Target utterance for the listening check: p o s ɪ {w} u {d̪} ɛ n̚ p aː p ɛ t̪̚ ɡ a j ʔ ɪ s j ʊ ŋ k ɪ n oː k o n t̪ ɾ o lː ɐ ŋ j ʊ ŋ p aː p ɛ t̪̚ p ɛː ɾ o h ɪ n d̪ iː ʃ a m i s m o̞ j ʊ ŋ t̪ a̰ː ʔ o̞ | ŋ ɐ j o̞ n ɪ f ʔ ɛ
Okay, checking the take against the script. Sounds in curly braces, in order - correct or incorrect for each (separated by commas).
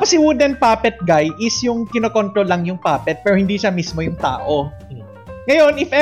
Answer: correct, correct